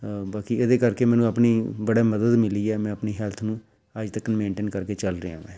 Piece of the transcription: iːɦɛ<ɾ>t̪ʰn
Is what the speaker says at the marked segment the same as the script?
no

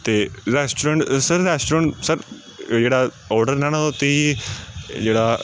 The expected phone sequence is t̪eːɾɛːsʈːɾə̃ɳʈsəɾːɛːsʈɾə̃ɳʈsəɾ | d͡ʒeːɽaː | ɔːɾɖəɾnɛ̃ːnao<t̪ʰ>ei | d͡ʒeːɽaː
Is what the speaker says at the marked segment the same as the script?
no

